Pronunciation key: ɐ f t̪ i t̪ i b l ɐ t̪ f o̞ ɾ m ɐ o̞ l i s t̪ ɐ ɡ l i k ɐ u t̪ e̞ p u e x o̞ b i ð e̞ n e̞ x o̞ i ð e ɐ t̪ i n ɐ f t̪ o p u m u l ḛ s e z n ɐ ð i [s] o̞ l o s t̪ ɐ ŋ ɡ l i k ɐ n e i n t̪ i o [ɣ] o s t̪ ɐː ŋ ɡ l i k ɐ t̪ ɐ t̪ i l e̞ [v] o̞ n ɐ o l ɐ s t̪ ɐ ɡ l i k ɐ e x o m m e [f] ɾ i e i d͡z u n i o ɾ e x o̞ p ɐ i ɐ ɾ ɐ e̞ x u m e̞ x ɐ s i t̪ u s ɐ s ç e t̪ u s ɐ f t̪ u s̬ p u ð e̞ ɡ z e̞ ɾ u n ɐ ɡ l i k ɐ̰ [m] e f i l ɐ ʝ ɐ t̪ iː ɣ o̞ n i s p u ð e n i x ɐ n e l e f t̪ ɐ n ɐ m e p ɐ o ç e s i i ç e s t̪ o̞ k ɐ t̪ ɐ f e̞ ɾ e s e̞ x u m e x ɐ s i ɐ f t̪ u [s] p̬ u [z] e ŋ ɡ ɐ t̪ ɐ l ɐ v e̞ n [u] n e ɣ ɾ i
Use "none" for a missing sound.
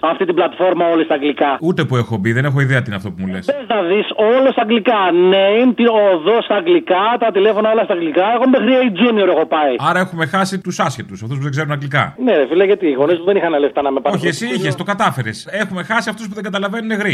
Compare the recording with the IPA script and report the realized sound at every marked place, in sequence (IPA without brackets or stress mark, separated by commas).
s, ð, f, x, n, s, ð, u